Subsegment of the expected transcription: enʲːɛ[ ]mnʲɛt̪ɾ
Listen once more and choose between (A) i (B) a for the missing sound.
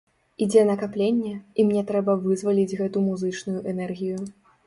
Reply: A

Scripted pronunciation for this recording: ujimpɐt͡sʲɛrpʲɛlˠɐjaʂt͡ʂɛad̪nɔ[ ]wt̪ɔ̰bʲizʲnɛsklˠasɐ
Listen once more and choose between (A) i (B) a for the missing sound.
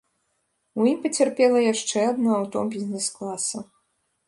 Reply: B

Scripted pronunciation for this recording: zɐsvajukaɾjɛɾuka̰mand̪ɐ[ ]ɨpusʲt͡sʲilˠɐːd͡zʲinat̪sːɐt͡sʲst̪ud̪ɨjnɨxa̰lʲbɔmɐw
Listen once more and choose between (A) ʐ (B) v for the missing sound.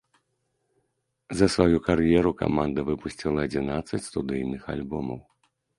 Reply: B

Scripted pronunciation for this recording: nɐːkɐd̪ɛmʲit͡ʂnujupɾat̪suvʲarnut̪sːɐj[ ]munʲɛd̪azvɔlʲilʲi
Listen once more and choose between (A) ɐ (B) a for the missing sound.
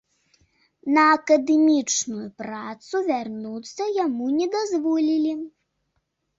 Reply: B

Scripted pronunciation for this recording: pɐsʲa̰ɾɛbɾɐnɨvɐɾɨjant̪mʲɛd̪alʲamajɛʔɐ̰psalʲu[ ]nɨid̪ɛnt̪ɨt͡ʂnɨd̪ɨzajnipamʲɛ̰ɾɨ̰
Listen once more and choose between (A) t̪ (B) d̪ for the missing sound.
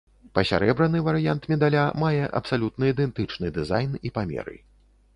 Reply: A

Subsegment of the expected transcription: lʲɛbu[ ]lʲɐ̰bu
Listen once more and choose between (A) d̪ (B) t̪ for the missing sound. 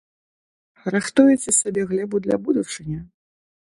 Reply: A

